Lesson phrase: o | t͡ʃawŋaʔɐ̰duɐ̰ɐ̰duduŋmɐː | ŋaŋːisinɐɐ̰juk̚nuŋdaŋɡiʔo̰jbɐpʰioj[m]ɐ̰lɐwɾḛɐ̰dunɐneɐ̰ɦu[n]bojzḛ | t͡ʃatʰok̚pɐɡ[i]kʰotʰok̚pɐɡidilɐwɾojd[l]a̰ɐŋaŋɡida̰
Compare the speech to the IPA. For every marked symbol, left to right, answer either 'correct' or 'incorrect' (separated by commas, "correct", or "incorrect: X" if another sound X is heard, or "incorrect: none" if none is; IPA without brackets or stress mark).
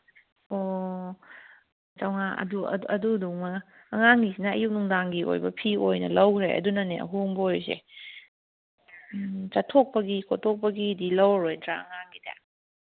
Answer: incorrect: n, incorrect: ŋ, correct, incorrect: ɾ